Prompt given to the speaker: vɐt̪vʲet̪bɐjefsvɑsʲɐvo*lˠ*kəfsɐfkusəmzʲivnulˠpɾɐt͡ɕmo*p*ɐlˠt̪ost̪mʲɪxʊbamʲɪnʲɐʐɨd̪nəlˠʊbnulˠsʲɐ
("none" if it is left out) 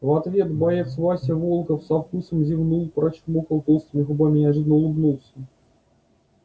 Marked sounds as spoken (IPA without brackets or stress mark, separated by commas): lˠ, k